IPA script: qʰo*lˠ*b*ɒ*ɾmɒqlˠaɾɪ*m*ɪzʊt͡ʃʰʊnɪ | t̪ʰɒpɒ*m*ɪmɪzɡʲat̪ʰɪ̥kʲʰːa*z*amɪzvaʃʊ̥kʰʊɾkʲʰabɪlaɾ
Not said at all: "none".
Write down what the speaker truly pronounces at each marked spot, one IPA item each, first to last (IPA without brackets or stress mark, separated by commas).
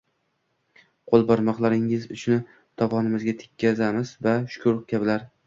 lˠ, ɒ, ŋ, n, z